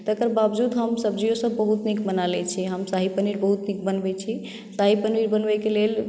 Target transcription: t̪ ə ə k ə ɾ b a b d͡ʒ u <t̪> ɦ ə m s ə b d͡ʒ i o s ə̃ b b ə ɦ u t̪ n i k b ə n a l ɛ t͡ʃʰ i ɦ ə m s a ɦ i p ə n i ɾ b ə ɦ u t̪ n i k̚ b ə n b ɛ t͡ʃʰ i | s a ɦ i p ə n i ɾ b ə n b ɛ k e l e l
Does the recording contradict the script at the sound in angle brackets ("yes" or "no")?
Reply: yes